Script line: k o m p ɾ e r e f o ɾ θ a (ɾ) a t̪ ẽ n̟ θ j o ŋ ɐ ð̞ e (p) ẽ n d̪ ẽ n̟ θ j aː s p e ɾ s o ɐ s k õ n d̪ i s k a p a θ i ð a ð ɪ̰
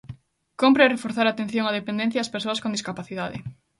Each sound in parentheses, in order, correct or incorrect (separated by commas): correct, correct